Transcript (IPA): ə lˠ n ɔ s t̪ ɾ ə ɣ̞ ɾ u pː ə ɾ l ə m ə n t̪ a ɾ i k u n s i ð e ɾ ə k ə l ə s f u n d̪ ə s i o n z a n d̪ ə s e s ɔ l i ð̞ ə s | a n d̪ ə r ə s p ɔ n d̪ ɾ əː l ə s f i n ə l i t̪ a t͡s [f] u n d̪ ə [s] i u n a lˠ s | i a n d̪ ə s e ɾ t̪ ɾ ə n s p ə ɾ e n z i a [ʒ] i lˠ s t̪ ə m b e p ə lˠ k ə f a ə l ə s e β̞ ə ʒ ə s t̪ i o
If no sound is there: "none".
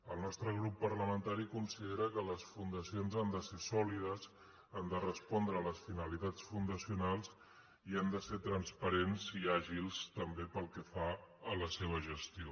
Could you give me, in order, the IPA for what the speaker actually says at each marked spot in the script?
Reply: f, s, ʒ

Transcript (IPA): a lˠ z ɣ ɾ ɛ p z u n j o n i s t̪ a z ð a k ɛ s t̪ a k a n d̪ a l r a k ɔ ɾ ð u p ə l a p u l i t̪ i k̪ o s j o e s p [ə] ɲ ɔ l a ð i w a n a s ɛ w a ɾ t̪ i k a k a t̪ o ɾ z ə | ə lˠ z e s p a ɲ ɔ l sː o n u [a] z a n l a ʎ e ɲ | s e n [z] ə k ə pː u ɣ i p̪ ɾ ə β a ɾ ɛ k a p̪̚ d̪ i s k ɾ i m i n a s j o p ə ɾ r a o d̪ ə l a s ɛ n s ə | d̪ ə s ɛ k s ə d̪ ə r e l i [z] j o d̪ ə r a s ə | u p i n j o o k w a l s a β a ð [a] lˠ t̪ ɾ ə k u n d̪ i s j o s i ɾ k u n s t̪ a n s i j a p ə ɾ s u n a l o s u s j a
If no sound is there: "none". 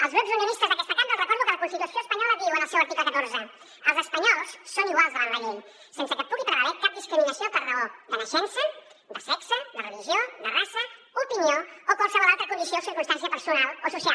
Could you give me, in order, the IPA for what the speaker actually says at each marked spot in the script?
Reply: a, a, s, ʒ, a

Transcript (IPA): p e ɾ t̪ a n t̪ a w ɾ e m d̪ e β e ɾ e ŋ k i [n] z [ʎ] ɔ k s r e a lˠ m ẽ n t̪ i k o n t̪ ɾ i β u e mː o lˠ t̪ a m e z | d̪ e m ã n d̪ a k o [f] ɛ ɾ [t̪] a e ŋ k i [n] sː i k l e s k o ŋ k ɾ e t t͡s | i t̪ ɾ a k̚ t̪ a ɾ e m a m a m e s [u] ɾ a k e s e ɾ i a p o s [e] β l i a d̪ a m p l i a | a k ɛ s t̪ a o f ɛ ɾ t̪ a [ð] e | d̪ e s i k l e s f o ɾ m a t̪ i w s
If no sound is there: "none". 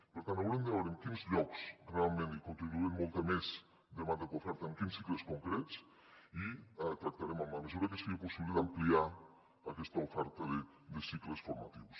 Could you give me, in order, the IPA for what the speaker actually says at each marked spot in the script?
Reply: n, ʎ, f, t̪, n, u, i, ð

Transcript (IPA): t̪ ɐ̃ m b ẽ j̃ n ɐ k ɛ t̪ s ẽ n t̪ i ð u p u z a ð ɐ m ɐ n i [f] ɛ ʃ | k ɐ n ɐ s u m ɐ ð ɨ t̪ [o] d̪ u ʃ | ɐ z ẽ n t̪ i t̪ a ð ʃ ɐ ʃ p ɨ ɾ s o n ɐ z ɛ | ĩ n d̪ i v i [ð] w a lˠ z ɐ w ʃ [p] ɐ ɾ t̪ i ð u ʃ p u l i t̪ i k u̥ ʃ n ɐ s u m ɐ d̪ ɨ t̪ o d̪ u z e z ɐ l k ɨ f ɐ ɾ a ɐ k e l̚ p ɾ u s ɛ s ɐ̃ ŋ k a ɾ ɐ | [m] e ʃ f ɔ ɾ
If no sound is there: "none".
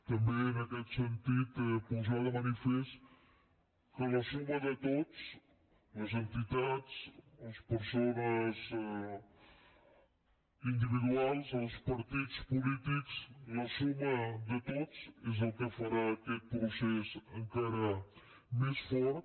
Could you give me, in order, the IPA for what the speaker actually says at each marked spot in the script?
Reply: f, o, ð, p, m

